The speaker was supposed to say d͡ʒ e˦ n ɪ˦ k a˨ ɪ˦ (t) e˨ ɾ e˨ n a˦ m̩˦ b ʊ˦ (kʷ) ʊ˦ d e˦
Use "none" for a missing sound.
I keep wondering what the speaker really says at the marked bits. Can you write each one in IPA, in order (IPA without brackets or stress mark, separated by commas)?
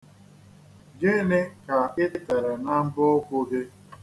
t, kʷ